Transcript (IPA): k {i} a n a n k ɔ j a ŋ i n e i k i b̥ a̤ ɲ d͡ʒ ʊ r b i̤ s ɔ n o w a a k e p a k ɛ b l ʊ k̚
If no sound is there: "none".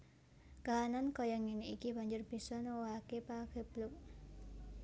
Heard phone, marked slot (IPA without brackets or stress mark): a